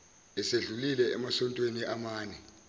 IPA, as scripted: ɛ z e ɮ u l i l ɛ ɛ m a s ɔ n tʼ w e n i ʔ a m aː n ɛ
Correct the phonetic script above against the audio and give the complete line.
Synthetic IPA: ɛ s e ɮ u l i l ɛ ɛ m a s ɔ n tʼ w e n i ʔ a m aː n ɛ